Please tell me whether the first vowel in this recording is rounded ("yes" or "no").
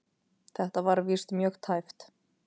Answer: no